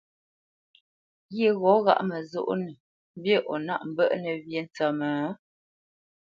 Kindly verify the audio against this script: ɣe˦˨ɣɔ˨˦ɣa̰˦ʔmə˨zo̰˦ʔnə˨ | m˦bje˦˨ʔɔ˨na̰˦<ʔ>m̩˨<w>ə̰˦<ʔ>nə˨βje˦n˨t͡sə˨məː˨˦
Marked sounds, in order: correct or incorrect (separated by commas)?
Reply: correct, incorrect, correct